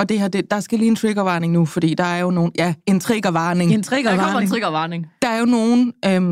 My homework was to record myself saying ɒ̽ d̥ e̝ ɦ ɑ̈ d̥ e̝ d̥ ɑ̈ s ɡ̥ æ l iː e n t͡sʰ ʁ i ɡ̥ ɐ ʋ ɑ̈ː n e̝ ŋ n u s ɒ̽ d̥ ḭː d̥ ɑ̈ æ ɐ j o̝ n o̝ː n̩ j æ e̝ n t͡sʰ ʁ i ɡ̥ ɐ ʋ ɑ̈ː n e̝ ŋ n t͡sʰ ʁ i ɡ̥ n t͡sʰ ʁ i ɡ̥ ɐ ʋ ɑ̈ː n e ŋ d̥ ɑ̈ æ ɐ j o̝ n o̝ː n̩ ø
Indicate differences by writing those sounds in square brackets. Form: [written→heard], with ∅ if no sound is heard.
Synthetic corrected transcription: ɒ̽ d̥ e̝ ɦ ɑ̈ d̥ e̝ d̥ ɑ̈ s ɡ̥ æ l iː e n t͡sʰ ʁ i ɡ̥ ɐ ʋ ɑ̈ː n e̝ ŋ n u [s→f] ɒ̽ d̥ ḭː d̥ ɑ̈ æ ɐ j o̝ n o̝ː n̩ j æ e̝ n t͡sʰ ʁ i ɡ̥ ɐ ʋ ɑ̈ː n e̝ ŋ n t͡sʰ ʁ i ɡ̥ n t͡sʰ ʁ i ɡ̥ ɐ ʋ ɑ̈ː n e ŋ d̥ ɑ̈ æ ɐ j o̝ n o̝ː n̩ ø